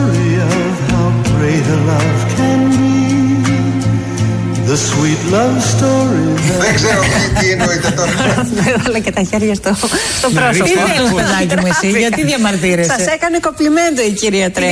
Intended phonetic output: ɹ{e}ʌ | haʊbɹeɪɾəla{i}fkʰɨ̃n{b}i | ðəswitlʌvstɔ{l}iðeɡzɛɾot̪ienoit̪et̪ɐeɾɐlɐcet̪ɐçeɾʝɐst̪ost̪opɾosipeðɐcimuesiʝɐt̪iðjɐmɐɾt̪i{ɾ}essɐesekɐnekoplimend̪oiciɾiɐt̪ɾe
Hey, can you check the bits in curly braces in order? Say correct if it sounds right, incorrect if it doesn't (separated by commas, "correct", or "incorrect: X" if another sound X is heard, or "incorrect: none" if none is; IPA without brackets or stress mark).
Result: incorrect: i, incorrect: ɪ, correct, incorrect: ɹ, correct